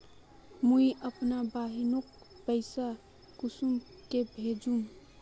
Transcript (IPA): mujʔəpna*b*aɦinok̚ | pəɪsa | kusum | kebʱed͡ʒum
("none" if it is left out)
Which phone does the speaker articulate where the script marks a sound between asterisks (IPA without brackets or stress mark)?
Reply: b